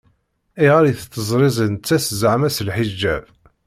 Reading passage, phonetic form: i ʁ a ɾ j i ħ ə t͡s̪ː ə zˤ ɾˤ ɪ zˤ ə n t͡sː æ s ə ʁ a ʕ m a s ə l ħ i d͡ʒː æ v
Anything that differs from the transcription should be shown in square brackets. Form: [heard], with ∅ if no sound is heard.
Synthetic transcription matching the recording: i ʁ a ɾ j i [θ] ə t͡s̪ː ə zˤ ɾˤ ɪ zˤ ə n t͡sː æ s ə [z] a ʕ m [æ] s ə l ħ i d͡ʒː æ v